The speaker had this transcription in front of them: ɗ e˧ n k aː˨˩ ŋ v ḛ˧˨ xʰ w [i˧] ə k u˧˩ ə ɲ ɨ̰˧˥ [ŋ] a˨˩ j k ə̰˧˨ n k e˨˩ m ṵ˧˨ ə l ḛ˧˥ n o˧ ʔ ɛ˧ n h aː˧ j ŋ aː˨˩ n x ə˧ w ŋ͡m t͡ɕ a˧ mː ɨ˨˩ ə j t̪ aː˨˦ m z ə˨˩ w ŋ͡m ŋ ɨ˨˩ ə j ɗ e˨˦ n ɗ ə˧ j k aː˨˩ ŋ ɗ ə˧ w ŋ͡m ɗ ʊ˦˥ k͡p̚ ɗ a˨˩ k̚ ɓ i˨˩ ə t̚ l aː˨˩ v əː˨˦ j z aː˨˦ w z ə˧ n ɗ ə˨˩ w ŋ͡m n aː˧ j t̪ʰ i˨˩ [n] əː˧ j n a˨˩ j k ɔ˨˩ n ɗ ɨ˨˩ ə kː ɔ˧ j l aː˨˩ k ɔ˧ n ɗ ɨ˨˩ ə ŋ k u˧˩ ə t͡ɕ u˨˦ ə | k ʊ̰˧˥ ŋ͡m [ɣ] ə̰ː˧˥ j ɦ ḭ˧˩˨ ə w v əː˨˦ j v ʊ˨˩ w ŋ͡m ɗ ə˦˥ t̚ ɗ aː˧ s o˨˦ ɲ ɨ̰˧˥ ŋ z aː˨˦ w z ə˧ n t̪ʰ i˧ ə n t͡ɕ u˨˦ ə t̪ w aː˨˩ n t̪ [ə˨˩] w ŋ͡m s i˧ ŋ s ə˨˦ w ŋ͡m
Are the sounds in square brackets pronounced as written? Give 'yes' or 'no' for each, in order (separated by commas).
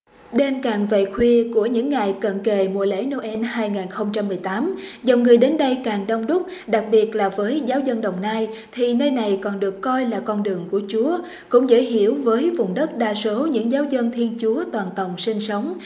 yes, no, yes, no, yes